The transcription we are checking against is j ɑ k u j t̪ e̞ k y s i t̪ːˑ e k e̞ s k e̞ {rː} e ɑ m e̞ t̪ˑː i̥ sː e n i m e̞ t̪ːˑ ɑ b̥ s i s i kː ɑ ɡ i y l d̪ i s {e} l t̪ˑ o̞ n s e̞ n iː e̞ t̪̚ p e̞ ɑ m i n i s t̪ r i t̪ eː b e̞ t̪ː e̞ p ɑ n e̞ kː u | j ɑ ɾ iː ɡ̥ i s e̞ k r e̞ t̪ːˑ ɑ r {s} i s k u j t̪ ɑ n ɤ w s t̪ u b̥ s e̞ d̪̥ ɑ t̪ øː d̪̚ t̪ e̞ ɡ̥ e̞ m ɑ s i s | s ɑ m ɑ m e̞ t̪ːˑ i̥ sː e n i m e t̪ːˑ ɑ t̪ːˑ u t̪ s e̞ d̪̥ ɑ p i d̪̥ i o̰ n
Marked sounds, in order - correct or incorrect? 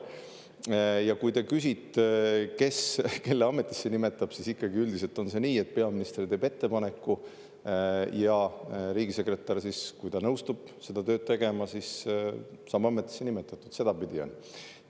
incorrect: lː, correct, correct

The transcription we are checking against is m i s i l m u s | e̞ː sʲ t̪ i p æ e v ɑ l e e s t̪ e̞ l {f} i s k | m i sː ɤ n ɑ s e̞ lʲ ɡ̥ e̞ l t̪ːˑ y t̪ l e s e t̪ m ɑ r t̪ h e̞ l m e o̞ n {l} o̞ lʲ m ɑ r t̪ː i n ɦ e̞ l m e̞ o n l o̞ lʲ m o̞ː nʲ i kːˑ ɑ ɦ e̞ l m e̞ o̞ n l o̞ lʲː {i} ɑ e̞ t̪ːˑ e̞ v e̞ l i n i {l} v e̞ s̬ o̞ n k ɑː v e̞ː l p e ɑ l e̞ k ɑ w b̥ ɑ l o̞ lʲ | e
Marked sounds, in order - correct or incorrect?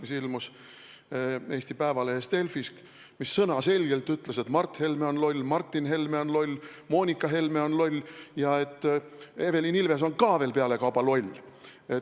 correct, correct, incorrect: j, correct

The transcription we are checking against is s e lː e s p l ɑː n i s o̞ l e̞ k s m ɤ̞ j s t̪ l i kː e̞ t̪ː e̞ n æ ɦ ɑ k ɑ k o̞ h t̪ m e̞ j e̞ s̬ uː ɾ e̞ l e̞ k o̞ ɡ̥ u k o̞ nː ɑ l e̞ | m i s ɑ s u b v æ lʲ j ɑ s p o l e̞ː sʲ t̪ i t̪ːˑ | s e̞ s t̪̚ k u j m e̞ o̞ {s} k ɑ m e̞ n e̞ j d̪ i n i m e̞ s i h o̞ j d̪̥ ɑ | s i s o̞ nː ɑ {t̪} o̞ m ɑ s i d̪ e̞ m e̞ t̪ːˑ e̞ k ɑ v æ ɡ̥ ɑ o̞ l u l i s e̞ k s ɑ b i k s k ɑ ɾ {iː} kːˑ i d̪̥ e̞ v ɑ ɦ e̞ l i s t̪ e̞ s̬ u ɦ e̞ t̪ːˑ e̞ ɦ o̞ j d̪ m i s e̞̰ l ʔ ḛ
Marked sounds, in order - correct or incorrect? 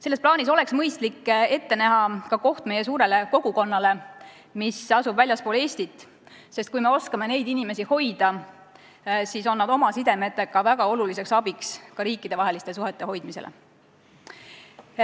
correct, incorrect: d̪, correct

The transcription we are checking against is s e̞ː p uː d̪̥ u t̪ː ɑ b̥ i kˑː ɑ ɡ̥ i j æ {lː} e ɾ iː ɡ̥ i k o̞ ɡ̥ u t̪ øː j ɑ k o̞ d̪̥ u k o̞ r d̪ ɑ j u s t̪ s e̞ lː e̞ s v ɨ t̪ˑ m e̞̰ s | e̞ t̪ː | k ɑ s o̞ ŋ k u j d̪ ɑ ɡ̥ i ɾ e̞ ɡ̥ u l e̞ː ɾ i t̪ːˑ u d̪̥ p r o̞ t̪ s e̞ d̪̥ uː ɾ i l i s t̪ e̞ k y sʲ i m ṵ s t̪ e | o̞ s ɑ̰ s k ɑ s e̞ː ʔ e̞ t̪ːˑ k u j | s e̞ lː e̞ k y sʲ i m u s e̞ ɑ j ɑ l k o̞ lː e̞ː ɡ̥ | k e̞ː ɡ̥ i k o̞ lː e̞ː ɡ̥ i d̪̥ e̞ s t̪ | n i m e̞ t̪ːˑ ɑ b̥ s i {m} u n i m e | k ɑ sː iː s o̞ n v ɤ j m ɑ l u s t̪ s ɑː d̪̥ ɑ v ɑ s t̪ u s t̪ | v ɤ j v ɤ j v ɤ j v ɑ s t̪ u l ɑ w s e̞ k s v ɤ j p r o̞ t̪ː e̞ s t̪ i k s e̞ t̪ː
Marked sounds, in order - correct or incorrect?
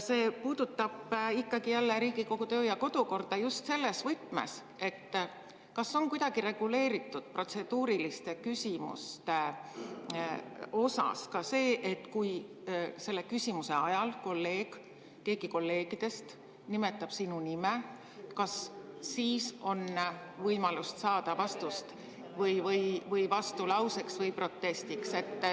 correct, incorrect: n

